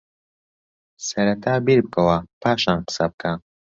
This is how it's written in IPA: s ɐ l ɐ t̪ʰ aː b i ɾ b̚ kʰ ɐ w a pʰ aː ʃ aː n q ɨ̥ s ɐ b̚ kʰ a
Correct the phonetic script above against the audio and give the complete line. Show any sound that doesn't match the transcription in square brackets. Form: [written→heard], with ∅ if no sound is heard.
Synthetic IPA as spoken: s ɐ [l→ɾ] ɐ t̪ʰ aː b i ɾ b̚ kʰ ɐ w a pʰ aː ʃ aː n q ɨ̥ s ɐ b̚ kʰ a